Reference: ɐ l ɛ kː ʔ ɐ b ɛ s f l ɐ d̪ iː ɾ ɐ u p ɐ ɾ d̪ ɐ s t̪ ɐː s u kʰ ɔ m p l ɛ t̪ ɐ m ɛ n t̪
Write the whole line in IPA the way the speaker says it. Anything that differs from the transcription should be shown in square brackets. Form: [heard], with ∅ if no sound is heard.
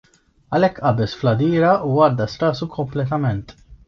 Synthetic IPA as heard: ɐ l ɛ kː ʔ ɐ b ɛ s f l ɐ d̪ iː ɾ ɐ u [∅] ɐ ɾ d̪ ɐ s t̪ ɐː s u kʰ ɔ m p l ɛ t̪ ɐ m ɛ n t̪

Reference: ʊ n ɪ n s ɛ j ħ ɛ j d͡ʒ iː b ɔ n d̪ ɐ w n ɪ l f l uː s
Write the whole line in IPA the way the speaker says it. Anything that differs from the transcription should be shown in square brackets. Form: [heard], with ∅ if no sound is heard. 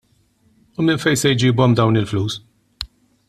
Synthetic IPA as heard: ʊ [m] ɪ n [f] ɛ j [s] ɛ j d͡ʒ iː b ɔ [m] d̪ ɐ w n ɪ l f l uː s

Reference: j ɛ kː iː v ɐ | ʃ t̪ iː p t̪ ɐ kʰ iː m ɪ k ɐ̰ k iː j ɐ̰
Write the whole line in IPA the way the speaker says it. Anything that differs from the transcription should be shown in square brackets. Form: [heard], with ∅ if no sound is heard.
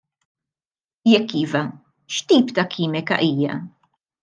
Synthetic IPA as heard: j ɛ kː iː v ɐ | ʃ t̪ iː p t̪ ɐ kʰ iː m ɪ k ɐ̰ [ʔ] iː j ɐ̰

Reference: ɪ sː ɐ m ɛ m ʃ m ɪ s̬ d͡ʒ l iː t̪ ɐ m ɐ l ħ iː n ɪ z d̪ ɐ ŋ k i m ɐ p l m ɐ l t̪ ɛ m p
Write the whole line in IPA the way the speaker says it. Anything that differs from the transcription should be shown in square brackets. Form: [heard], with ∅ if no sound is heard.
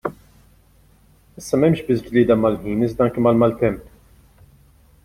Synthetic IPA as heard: ɪ sː ɐ m ɛ m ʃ [b] ɪ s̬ d͡ʒ l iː [d̪] ɐ m ɐ l ħ iː n ɪ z d̪ ɐ ŋ k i m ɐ [∅] l m ɐ l t̪ ɛ m p

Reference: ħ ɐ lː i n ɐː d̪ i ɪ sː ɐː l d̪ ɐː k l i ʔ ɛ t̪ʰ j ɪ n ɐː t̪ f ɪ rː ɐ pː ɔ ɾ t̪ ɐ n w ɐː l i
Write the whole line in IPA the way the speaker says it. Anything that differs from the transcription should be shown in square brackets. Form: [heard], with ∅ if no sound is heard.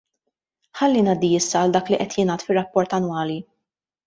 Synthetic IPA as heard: ħ ɐ lː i n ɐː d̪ i ɪ sː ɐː l d̪ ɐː k l i ʔ ɛ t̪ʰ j ɪ n ɐː t̪ f ɪ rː ɐ pː ɔ ɾ t̪ ɐ n w ɐː l i

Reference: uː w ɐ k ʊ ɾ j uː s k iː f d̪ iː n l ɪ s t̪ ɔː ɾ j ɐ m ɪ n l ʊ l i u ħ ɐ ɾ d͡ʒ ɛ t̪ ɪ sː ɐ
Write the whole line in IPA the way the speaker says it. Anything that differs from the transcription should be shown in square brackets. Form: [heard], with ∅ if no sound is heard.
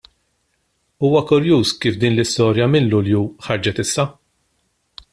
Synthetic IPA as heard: uː w ɐ k ʊ ɾ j uː s k iː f d̪ iː n l ɪ s t̪ ɔː ɾ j ɐ m ɪ n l ʊ l [j] u ħ ɐ ɾ d͡ʒ ɛ t̪ ɪ sː ɐ

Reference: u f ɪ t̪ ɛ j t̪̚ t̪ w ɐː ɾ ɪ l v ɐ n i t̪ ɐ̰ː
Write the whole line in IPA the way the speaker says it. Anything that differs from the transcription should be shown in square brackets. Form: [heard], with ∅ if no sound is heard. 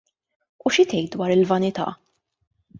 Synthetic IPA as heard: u [ʃ] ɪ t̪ ɛ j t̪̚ [d̪] w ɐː ɾ ɪ l v ɐ n [ɪ] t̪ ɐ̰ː

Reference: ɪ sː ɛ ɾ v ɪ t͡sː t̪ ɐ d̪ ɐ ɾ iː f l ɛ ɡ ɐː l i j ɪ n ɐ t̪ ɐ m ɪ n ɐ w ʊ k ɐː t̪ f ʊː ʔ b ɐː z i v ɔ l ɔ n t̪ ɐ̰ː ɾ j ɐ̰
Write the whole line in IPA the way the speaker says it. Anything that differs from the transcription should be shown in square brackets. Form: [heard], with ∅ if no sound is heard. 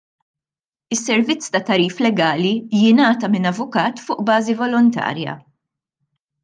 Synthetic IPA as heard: ɪ sː ɛ ɾ v ɪ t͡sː t̪ ɐ [t̪] ɐ ɾ iː f l ɛ ɡ ɐː l i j ɪ n [ɐː] t̪ ɐ m ɪ n ɐ [v] ʊ k ɐː t̪ f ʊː ʔ b ɐː z i v ɔ l ɔ n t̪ ɐ̰ː ɾ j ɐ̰

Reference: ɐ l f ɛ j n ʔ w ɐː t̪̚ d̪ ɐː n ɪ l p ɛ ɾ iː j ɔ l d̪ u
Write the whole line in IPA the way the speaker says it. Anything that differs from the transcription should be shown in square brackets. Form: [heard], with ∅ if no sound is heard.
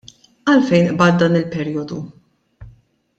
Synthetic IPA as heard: ɐ l f ɛ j n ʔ [b] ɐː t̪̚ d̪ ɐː n ɪ l p ɛ ɾ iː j ɔ [∅] d̪ u

